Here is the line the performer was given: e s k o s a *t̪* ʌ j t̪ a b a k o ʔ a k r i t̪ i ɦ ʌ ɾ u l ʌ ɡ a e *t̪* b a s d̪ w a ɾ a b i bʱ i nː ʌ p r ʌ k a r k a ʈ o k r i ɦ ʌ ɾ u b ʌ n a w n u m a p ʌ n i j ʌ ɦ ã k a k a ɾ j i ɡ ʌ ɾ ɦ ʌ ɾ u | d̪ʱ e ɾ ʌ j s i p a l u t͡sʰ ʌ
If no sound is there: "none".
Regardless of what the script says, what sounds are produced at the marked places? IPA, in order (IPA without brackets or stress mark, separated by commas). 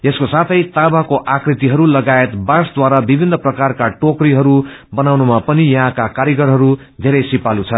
t̪ʰ, t̪